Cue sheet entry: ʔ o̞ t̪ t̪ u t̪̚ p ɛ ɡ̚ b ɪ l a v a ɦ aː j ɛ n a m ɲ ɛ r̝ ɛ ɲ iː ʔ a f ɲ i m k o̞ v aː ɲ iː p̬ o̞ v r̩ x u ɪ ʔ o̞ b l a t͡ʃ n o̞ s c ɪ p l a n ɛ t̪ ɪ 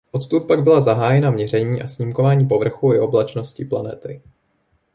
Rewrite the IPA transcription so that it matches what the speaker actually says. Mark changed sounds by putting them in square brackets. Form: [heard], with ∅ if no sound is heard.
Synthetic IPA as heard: ʔ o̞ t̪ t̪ u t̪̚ p [a] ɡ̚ b ɪ l a [z] a ɦ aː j ɛ n a m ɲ ɛ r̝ ɛ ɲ iː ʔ a [s] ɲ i m k o̞ v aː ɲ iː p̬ o̞ v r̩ x u ɪ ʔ o̞ b l a t͡ʃ n o̞ s c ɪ p l a n ɛ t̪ ɪ

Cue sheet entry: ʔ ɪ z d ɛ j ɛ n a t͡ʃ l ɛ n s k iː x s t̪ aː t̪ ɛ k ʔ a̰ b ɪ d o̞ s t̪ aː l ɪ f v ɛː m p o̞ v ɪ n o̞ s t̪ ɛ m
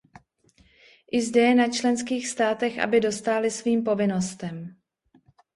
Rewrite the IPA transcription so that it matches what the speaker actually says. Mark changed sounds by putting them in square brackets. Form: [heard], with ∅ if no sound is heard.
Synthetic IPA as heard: ʔ ɪ z d ɛ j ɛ n a t͡ʃ l ɛ n s k iː x s t̪ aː t̪ ɛ [x] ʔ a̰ b ɪ d o̞ s t̪ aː l ɪ [s] v [iː] m p o̞ v ɪ n o̞ s t̪ ɛ m

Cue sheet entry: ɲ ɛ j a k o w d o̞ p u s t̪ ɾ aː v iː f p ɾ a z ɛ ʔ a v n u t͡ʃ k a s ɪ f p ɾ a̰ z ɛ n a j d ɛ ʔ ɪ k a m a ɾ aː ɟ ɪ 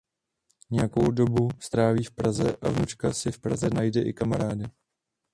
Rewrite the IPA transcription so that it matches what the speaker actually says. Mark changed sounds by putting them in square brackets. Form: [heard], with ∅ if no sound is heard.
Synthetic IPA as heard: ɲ ɛ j a k o w d o̞ [b] u s t̪ ɾ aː v iː f p ɾ a z ɛ ʔ a v n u t͡ʃ k a s ɪ f p ɾ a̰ z ɛ n a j d ɛ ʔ ɪ k a m a ɾ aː [d] ɪ

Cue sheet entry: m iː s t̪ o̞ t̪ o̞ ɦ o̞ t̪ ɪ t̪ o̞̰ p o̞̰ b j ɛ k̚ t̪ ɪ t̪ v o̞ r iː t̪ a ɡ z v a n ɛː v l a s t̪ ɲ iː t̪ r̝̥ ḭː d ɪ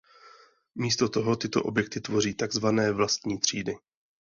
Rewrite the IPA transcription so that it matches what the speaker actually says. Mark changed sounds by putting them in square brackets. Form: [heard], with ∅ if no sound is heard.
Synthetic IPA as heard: m iː s t̪ o̞ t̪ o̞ ɦ o̞ t̪ ɪ t̪ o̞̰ [ʔ] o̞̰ b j ɛ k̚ t̪ ɪ t̪ v o̞ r iː t̪ a ɡ z v a n ɛː v l a s t̪ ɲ iː t̪ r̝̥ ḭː d ɪ

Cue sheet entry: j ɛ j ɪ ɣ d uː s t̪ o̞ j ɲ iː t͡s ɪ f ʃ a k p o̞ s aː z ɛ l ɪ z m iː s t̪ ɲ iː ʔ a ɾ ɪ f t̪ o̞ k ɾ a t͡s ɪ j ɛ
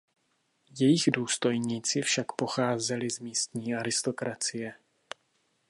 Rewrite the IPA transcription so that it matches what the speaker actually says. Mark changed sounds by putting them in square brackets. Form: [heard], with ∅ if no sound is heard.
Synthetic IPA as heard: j ɛ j ɪ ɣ d uː s t̪ o̞ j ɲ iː t͡s ɪ f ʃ a k p o̞ [x] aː z ɛ l ɪ z m iː s t̪ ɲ iː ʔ a ɾ ɪ [s] t̪ o̞ k ɾ a t͡s ɪ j ɛ

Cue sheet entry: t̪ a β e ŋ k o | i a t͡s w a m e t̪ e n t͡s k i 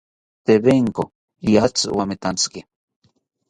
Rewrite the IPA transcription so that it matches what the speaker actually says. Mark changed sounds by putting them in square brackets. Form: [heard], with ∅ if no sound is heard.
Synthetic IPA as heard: t̪ [e] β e ŋ k o | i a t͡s w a m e t̪ [a] n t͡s k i

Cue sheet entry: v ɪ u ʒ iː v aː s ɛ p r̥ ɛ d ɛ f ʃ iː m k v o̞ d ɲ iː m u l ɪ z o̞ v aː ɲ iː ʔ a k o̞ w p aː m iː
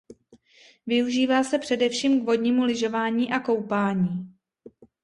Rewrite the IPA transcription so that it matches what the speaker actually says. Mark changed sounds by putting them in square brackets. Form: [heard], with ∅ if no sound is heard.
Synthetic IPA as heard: v ɪ u ʒ iː v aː s ɛ p r̥ ɛ d ɛ f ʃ iː m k v o̞ d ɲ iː m u l ɪ [ʒ] o̞ v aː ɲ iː ʔ a k o̞ w p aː [ɲ] iː

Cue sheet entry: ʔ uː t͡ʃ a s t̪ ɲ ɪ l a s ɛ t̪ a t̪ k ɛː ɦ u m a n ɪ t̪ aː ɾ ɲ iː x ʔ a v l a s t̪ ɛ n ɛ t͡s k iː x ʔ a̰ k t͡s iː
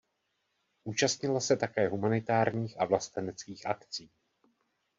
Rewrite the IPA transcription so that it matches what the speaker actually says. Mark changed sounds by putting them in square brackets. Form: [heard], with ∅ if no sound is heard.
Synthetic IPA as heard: ʔ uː t͡ʃ a s t̪ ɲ ɪ l a s ɛ t̪ a [∅] k ɛː ɦ u m a n ɪ t̪ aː ɾ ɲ iː x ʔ a v l a s t̪ ɛ n ɛ t͡s k iː x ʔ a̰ k t͡s iː

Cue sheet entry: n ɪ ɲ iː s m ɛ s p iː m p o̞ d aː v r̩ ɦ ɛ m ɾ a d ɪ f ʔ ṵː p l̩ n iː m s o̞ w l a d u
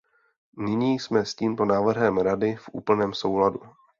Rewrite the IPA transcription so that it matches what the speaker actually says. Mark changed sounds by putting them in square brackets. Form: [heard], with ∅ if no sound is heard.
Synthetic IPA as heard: n ɪ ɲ iː s m ɛ s [c] iː m p o̞ [n] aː v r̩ ɦ ɛ m ɾ a d ɪ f ʔ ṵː p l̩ n [ɛː] m s o̞ w l a d u

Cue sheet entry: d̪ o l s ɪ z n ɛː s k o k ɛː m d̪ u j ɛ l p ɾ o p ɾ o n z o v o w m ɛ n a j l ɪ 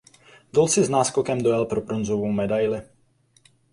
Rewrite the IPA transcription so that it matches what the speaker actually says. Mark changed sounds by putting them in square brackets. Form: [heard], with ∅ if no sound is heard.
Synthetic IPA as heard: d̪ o l s ɪ z n [aː] s k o k [ɛ] m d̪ [o] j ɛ l p ɾ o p ɾ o n z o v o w m ɛ [d] a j l ɪ

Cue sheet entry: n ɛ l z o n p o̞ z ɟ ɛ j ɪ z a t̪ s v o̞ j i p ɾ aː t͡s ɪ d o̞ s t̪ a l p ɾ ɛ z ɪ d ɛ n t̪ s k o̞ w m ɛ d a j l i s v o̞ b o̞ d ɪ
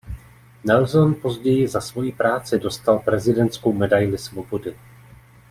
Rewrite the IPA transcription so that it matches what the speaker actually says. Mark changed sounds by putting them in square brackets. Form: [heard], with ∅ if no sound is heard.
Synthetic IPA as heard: n ɛ l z o n p o̞ z ɟ ɛ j ɪ z a [∅] s v o̞ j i p ɾ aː t͡s ɪ d o̞ s t̪ a l p ɾ ɛ z ɪ d ɛ n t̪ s k o̞ w m ɛ d a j l [ɪ] s v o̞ b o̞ d ɪ

